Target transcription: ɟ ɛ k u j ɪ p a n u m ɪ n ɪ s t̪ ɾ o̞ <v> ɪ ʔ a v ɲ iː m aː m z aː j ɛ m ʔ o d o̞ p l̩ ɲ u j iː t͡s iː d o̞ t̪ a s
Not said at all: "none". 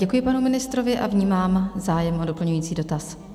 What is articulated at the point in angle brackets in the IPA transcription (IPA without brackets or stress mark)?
v